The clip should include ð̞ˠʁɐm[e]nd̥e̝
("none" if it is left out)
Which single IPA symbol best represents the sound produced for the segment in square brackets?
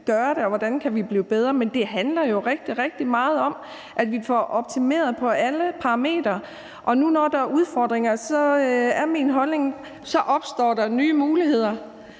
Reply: e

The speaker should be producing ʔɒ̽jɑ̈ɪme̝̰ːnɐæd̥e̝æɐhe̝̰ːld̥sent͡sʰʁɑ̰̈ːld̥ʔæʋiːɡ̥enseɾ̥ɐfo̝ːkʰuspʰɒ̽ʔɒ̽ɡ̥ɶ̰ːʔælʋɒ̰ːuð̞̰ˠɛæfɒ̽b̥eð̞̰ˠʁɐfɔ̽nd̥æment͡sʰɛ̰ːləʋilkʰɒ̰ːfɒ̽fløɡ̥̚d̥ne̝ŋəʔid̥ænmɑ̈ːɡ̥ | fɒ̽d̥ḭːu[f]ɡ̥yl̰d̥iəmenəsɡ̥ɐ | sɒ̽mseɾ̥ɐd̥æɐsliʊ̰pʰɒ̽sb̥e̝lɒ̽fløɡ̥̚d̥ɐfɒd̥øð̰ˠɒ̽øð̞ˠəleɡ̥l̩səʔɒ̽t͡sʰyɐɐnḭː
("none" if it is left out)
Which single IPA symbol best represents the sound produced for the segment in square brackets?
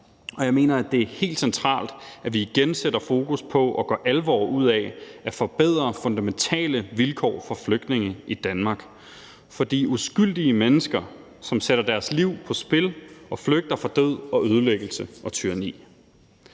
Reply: s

